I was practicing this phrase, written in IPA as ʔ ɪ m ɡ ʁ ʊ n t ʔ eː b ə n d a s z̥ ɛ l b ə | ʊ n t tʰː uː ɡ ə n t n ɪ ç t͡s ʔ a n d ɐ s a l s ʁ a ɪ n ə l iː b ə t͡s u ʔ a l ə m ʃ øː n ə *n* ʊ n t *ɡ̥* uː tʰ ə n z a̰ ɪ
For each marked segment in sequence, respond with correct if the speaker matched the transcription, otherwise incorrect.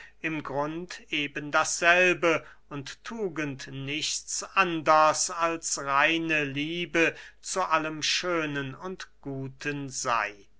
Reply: correct, correct

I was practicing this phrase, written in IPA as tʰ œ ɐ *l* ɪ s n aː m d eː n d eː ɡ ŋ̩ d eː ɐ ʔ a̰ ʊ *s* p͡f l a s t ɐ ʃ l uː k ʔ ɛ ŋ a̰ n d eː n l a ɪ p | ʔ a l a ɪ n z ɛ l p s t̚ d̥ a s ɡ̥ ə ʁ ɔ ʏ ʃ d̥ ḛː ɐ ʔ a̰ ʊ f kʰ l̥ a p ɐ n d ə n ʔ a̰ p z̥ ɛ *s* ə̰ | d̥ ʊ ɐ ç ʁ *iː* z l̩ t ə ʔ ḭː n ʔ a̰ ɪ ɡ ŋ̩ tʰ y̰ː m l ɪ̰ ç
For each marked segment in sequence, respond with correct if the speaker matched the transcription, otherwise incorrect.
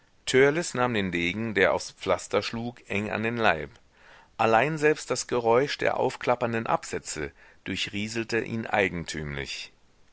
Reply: correct, correct, incorrect: t͡s, correct

